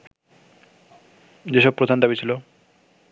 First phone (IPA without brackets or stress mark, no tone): d͡ʑ